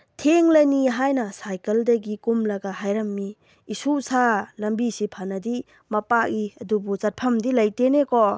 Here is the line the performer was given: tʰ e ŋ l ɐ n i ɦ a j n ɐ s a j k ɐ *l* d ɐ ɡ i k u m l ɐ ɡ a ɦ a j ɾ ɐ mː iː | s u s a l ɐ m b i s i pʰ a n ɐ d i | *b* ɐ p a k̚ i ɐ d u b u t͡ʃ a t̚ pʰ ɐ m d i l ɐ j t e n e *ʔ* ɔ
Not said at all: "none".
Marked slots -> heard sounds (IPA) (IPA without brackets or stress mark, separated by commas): l, m, k